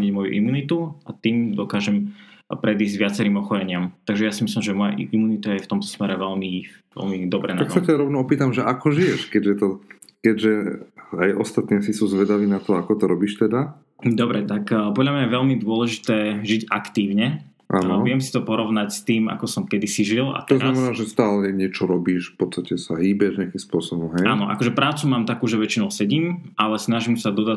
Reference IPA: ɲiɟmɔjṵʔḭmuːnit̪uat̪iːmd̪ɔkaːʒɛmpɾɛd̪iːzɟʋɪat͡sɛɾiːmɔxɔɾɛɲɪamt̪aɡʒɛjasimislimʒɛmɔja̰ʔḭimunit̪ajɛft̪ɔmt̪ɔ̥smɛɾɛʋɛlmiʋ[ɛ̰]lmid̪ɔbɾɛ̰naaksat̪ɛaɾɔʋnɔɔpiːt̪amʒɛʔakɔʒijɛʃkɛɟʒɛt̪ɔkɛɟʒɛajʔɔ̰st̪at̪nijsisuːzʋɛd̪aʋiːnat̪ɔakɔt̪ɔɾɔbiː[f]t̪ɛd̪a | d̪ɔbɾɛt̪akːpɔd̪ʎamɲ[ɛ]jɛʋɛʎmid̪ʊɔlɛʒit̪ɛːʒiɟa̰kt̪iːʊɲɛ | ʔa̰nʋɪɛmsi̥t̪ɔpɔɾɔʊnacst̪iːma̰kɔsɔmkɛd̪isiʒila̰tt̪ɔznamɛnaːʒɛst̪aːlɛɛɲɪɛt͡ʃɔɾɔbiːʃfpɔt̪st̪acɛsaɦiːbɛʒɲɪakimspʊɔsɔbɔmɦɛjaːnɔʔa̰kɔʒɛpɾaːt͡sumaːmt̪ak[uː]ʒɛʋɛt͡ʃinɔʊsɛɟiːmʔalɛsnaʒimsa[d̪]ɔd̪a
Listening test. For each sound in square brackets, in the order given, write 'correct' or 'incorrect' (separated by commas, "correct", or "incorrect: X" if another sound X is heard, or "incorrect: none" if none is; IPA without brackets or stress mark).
correct, incorrect: ʃ, incorrect: a, correct, correct